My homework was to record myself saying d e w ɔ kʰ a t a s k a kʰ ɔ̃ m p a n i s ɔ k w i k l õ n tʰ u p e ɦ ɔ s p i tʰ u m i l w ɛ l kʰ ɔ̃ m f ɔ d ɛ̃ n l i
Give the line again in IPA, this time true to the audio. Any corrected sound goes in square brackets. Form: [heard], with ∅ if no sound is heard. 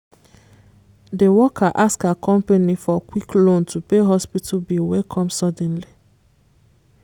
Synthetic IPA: d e w ɔ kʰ a [ʔ] a s k a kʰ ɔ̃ m p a n i [f] ɔ k w i k l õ n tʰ u p e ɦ ɔ s p i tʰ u [b] i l w ɛ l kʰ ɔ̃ m [s] ɔ d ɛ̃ n l i